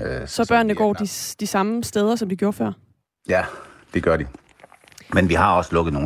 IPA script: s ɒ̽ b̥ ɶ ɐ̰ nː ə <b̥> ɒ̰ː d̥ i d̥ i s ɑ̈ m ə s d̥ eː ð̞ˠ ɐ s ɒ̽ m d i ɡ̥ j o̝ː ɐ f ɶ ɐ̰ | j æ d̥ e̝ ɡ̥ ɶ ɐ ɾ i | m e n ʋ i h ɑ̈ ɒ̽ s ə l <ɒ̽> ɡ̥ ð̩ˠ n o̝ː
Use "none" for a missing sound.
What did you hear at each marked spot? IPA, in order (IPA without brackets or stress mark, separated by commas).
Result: ɡ̥, ɔ̽